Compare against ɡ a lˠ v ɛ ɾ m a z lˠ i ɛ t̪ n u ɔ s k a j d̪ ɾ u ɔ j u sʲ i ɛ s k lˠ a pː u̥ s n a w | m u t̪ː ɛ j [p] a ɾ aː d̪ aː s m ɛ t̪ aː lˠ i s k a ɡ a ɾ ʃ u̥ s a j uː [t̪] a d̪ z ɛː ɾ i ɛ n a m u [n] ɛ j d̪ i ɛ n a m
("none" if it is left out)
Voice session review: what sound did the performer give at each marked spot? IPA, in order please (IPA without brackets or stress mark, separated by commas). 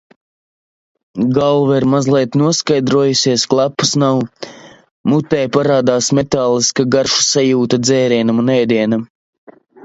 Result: p, t̪, n